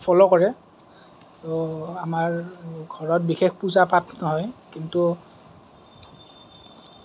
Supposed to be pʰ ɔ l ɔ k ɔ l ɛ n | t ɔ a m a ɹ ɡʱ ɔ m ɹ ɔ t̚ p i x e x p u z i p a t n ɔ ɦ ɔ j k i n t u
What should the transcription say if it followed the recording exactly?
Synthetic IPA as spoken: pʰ ɔ l ɔ k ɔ ɹ ɛ | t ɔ a m a ɹ ɡʱ ɔ ɹ ɔ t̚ b i x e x p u z a p a t n ɔ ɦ ɔ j k i n t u